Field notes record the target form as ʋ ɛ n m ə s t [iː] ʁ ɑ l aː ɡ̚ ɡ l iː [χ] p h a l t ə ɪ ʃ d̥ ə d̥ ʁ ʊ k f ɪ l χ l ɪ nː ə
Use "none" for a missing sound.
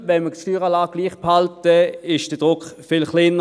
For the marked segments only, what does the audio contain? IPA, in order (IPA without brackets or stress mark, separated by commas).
yː, χ